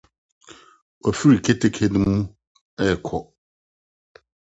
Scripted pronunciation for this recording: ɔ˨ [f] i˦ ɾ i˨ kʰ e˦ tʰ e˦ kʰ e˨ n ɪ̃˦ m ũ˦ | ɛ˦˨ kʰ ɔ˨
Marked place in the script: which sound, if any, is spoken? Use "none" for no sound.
f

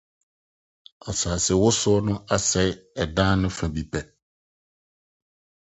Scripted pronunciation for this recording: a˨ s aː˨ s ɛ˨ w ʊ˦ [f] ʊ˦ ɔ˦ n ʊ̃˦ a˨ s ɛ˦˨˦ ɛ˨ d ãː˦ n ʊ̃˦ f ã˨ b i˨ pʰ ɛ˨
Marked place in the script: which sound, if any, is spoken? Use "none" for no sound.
s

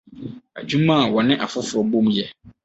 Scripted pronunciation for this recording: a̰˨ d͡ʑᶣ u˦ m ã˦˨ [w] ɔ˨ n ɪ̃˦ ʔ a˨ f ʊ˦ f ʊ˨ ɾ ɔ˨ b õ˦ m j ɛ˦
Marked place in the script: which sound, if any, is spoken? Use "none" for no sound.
w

